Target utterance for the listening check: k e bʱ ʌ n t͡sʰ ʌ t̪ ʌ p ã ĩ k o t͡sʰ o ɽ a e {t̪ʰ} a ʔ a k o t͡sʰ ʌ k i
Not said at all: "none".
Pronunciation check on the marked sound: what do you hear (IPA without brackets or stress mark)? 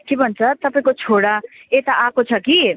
t̪